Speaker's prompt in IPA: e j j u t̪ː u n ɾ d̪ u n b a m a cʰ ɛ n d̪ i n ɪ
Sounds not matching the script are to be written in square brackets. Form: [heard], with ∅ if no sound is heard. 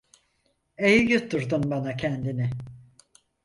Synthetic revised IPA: e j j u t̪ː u [∅] ɾ d̪ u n b a [n] a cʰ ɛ n d̪ i n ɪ

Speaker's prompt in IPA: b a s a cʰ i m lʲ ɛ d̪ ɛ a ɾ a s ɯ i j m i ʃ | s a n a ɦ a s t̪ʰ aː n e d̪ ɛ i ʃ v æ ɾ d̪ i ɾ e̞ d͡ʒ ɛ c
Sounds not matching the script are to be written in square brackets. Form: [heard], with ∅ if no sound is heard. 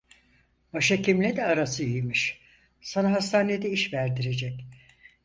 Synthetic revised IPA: b a [ʃ] a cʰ i m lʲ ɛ d̪ ɛ a ɾ a s ɯ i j m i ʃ | s a n a ɦ a s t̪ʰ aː n e d̪ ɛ i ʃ v æ ɾ d̪ i ɾ e̞ d͡ʒ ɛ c

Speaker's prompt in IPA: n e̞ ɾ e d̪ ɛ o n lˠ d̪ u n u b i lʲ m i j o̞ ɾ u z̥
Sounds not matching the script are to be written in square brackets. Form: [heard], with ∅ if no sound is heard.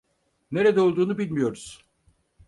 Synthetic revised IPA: n e̞ ɾ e d̪ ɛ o [∅] lˠ d̪ [uː] n u b i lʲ m i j o̞ ɾ u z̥

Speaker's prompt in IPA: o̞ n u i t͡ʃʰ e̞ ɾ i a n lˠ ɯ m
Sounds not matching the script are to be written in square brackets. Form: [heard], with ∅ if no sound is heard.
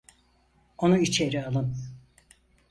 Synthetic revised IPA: o̞ n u i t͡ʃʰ e̞ ɾ i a [∅] lˠ ɯ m

